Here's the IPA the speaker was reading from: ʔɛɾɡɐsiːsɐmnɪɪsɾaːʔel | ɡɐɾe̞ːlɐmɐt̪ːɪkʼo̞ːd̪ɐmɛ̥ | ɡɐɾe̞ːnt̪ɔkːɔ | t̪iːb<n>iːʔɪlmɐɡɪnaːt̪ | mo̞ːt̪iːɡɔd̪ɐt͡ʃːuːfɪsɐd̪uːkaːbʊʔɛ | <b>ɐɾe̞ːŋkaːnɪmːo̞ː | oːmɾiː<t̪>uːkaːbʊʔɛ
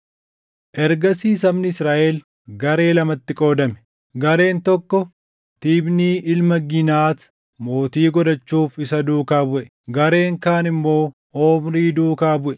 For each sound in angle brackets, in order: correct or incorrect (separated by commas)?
correct, incorrect, incorrect